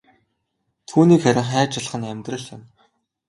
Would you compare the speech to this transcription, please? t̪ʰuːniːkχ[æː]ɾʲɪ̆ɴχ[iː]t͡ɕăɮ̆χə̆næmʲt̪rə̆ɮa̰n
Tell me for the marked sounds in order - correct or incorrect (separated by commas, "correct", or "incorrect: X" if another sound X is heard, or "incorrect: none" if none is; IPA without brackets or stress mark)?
incorrect: æ, incorrect: æː